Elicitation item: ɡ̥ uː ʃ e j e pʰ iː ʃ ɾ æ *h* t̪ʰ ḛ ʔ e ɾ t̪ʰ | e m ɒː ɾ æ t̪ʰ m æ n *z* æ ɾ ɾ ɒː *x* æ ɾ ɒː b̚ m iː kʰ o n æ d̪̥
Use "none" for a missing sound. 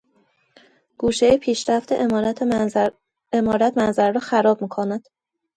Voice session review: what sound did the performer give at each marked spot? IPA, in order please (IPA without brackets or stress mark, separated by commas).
f, z, x